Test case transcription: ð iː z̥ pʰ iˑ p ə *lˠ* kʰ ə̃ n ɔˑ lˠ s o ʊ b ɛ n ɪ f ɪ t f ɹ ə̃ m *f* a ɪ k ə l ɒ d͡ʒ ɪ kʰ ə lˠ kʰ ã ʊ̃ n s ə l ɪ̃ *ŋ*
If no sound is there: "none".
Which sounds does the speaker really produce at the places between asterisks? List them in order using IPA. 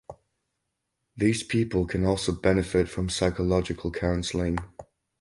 lˠ, s, ŋ

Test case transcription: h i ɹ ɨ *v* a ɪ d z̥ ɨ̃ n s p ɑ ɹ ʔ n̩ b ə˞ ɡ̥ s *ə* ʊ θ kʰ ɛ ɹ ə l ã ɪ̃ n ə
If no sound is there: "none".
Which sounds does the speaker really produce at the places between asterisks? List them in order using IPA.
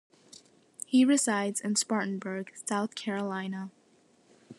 z, a

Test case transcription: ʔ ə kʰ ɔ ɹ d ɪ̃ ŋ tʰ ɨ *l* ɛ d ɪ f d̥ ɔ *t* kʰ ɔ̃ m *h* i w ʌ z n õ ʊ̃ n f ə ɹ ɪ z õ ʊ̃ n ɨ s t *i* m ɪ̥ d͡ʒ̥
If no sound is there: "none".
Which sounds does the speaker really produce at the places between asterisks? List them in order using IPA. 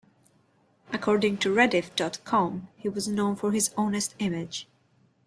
ɹ, t, h, ɪ

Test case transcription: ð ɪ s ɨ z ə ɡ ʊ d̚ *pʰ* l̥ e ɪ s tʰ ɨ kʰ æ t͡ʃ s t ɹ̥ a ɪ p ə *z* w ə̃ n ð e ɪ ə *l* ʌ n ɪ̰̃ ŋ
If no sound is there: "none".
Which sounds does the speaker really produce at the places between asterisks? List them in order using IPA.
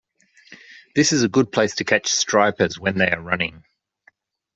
pʰ, z, ɹ

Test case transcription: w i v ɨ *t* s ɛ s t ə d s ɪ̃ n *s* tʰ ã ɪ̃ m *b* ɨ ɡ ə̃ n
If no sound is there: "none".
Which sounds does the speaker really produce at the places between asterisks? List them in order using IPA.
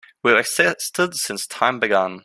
k, s, b

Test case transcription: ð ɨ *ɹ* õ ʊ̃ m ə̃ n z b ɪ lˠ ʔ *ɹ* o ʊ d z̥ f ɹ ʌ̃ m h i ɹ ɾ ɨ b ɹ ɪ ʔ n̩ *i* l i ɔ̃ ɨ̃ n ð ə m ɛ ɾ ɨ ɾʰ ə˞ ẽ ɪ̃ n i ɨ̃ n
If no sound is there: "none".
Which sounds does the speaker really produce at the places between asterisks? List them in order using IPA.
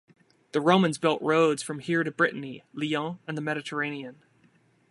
ɹ, ɹ, i

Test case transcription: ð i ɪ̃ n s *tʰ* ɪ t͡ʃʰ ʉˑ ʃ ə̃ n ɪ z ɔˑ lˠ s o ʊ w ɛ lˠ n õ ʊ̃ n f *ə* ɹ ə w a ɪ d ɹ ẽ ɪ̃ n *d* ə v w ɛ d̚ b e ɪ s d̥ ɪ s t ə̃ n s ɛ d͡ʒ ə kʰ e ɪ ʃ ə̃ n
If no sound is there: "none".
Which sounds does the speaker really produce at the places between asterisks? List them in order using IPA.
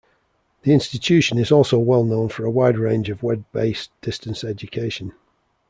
t, ə, d͡ʒ

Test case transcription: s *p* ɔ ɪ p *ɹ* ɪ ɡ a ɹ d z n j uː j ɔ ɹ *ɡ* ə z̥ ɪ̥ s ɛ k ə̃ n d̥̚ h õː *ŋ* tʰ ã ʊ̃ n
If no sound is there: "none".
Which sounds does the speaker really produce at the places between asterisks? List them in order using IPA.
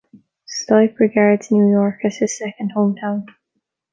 t, ɹ, k, m

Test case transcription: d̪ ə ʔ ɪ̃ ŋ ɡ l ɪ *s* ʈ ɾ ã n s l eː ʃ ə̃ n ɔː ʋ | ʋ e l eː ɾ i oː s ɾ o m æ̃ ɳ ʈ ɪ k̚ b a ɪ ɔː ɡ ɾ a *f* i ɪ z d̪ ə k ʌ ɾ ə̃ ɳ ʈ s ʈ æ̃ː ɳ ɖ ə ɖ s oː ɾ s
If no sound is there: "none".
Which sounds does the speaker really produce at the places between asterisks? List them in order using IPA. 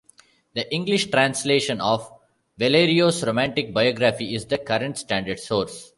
ʃ, f

